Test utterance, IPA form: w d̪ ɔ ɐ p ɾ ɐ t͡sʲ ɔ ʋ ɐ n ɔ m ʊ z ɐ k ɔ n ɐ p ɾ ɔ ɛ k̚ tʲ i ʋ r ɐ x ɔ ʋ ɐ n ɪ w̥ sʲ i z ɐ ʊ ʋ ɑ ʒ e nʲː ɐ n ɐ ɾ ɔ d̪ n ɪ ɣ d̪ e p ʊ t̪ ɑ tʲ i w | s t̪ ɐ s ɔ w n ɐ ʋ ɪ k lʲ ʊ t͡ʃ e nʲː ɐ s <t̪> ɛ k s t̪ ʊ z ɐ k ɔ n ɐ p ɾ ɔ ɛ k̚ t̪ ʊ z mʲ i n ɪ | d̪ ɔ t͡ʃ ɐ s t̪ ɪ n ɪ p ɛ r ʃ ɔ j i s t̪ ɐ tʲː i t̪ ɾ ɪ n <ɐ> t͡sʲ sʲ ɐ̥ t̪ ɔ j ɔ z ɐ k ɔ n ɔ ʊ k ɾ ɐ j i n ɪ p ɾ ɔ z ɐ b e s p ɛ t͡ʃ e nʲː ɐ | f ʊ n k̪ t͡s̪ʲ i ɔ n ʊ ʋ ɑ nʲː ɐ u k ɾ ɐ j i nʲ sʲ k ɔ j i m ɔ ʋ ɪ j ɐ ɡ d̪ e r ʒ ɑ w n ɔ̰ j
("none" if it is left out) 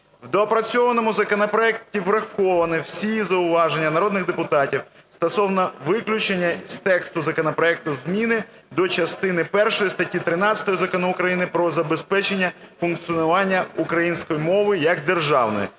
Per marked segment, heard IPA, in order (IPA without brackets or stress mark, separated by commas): t̪, ɑ